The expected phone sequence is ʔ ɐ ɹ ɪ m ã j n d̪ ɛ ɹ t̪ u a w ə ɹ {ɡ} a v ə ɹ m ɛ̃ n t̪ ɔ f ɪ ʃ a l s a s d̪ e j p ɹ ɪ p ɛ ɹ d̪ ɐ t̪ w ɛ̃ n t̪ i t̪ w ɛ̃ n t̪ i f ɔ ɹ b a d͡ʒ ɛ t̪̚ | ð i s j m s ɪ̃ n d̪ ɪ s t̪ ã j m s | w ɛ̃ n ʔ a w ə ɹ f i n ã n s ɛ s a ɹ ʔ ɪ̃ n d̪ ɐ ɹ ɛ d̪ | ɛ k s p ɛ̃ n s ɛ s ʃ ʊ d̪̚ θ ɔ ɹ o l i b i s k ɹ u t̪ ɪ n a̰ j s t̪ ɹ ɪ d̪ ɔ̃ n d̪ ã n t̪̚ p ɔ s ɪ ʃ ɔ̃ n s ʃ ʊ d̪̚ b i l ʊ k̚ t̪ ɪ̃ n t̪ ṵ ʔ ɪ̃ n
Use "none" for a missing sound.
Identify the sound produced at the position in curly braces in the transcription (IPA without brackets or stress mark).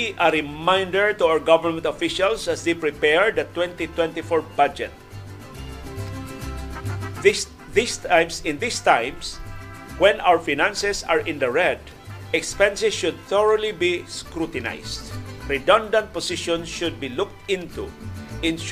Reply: ɡ